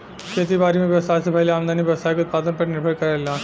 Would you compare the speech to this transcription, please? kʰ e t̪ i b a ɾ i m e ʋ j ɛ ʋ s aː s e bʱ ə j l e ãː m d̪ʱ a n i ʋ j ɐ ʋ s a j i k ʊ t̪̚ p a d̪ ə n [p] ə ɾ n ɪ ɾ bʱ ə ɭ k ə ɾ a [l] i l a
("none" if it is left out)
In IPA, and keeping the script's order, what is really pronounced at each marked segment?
p, l

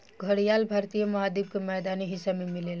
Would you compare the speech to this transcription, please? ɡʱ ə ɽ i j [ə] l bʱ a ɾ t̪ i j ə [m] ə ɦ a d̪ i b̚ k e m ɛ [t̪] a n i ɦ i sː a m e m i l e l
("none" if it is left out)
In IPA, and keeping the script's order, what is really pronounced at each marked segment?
a, m, d̪

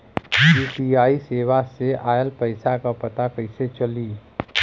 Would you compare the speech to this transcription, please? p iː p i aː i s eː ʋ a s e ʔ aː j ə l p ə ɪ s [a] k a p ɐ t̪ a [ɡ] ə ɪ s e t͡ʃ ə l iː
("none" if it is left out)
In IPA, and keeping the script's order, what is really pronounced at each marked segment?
a, k

